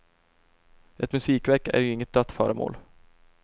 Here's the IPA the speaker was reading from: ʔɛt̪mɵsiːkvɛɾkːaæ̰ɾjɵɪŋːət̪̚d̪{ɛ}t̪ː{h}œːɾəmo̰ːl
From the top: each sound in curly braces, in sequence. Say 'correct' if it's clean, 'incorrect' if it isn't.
incorrect: œ, incorrect: f

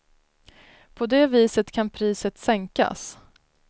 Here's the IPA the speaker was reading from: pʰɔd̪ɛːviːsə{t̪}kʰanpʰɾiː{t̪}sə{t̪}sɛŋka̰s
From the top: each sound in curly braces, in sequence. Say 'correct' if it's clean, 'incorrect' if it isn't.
correct, incorrect: none, correct

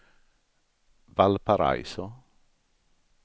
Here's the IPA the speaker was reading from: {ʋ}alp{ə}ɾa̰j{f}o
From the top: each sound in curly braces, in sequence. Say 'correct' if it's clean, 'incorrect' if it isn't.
incorrect: v, incorrect: a, incorrect: s

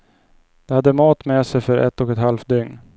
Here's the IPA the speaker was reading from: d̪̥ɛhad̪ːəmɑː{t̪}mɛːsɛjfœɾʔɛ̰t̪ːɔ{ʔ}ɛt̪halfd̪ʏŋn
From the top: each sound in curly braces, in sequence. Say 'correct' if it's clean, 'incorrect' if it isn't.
correct, incorrect: k

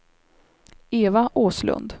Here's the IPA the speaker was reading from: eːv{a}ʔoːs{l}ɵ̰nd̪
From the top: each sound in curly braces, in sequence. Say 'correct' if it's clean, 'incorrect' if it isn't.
correct, correct

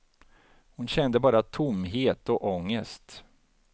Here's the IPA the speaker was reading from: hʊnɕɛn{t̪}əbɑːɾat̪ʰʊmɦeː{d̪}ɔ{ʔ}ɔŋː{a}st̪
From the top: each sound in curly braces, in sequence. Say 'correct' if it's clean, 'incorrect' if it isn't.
incorrect: d̪, incorrect: t̪, correct, incorrect: ə

